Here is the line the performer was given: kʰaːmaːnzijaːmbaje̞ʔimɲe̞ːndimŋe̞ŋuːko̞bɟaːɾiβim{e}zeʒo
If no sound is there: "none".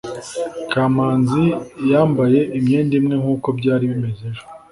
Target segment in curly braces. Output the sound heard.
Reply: e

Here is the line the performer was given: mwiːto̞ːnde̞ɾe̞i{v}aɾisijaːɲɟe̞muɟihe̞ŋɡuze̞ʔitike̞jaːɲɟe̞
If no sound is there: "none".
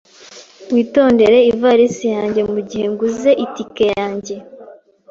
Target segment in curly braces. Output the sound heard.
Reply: v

